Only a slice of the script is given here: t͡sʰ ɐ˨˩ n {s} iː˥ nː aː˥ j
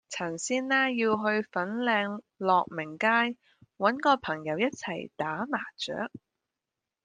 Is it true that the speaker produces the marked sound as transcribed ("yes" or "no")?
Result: yes